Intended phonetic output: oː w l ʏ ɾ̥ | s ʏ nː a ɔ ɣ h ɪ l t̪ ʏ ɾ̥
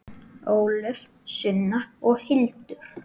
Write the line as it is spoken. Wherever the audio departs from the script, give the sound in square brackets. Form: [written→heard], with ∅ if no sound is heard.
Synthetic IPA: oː w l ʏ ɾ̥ | s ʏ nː a ɔ ɣ h ɪ l t̪ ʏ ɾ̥